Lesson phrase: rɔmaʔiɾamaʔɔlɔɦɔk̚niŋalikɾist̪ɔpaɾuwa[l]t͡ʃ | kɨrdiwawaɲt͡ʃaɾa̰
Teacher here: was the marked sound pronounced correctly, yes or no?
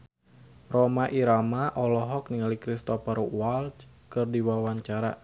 yes